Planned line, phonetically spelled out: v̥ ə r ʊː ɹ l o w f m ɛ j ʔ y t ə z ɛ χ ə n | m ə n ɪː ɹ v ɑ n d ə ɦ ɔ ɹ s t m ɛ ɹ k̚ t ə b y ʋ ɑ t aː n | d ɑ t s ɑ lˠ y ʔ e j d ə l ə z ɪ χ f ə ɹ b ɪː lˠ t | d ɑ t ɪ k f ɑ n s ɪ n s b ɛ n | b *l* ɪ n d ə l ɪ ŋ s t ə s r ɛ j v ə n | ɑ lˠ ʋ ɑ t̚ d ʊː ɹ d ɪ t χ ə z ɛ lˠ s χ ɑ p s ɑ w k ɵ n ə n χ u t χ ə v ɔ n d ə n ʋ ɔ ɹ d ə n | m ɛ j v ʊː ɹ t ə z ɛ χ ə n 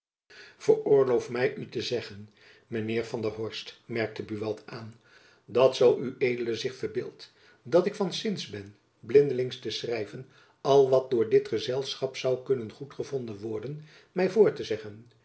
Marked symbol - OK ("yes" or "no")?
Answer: yes